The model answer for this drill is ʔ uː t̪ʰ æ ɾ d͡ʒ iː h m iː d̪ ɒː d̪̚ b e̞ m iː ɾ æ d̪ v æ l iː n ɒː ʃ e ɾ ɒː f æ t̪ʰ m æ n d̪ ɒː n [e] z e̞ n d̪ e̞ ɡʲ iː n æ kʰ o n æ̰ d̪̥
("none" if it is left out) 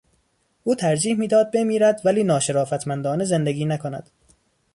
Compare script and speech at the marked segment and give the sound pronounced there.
e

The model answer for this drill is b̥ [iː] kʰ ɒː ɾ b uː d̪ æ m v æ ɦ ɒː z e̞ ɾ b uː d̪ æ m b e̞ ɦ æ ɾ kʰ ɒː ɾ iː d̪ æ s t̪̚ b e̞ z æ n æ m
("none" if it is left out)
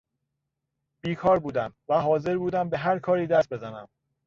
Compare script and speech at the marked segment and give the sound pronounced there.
iː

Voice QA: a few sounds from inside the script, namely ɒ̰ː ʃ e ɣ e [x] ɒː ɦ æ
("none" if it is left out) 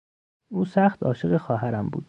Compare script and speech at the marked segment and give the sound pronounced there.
x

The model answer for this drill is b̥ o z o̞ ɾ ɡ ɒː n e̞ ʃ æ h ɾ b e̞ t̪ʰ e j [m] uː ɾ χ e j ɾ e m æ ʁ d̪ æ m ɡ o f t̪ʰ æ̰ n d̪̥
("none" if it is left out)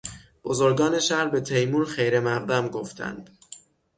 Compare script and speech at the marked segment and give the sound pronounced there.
m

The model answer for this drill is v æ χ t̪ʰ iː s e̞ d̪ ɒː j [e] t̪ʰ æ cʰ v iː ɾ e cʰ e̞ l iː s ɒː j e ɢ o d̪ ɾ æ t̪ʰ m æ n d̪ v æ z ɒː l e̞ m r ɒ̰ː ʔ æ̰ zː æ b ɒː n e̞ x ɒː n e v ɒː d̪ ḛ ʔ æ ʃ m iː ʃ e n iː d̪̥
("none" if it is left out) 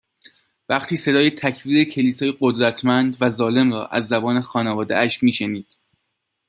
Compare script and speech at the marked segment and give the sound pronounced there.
e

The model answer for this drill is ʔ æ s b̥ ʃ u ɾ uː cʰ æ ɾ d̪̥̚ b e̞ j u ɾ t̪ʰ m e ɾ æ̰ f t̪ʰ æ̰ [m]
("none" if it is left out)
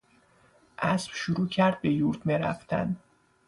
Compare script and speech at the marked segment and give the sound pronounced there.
n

